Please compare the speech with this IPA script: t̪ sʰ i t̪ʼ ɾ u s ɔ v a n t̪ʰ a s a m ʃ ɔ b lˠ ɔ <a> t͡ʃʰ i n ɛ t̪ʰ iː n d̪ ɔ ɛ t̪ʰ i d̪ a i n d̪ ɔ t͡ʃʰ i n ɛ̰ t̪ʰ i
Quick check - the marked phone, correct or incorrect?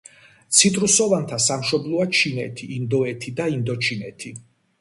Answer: correct